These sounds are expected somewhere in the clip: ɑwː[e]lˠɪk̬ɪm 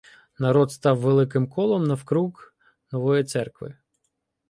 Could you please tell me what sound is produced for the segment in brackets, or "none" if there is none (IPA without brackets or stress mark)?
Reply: e